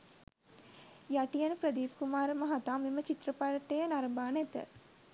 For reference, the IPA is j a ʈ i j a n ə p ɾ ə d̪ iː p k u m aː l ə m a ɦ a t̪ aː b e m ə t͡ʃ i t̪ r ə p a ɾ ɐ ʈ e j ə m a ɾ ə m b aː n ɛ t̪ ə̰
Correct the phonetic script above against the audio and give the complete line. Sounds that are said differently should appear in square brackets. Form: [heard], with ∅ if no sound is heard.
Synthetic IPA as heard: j a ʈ i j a n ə p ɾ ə d̪ iː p k u m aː [ɾ] ə m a ɦ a t̪ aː [m] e m ə t͡ʃ i t̪ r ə p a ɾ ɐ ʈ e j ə [n] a ɾ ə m b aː n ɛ t̪ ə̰